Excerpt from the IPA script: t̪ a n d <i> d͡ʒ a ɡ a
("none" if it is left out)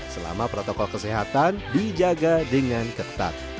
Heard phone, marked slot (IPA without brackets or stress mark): i